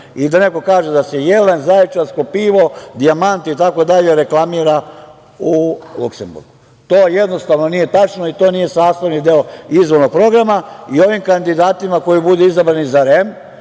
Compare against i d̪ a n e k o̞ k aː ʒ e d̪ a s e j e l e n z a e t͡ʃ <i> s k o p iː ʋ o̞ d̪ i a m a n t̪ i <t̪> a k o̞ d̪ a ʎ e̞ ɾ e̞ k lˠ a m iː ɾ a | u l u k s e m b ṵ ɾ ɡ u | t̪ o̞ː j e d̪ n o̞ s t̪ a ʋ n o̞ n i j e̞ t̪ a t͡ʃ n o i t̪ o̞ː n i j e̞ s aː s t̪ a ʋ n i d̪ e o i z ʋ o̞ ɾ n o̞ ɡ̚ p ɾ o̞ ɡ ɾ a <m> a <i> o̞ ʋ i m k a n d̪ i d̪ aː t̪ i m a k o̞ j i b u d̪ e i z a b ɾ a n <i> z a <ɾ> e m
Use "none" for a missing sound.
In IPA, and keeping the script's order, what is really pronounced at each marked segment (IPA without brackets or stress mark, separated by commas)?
a, t̪, m, i, i, ɾ